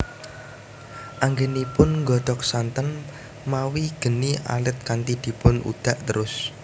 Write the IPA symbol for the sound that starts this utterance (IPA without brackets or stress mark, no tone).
ʔ